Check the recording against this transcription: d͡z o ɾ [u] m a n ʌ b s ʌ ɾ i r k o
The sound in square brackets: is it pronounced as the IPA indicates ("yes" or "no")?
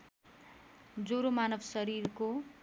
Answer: no